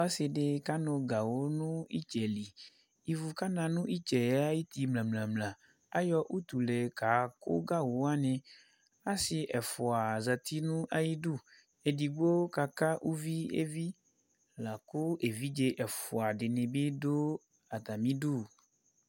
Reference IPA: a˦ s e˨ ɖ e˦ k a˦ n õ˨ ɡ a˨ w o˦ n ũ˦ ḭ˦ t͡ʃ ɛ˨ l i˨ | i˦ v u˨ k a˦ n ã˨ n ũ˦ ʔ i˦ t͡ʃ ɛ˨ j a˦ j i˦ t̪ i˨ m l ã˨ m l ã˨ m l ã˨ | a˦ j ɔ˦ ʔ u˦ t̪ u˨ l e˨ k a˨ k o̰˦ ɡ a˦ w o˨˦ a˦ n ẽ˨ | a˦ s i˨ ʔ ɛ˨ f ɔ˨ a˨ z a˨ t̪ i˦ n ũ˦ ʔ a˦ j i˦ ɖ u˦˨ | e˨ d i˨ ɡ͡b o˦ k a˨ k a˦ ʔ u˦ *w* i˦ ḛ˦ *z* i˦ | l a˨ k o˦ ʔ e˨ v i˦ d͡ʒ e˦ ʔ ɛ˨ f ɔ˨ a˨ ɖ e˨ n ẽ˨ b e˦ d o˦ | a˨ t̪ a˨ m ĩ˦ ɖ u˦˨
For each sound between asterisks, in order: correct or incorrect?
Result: incorrect, incorrect

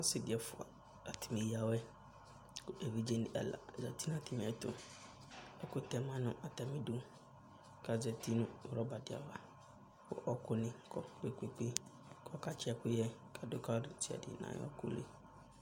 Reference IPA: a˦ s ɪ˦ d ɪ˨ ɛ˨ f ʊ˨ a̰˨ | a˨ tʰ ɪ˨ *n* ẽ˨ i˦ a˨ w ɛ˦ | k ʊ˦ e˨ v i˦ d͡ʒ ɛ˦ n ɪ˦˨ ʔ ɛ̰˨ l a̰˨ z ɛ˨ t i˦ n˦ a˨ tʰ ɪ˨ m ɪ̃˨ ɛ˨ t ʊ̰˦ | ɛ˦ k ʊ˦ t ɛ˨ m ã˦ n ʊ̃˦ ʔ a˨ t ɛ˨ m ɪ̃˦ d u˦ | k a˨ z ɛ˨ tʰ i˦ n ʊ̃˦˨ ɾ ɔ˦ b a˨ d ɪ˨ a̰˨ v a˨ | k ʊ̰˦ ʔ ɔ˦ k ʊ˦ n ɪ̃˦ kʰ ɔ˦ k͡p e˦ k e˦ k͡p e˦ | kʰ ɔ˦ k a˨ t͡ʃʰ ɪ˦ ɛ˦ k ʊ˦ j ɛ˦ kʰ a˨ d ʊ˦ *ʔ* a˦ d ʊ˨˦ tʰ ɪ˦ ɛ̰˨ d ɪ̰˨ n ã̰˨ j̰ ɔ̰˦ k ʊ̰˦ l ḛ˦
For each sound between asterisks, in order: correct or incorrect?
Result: incorrect, incorrect

